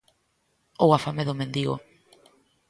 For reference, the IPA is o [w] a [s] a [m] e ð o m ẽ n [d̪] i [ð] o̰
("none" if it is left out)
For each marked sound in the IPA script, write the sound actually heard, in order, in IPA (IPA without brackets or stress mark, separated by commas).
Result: w, f, m, d̪, ɣ